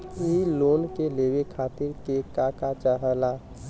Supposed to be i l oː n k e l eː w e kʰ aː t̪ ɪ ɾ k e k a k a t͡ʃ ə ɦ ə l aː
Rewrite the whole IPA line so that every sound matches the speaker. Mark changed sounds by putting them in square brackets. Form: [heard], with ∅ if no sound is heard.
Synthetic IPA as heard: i l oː n k e l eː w e kʰ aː t̪ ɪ ɾ k e k a k a t͡ʃ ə ɦ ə l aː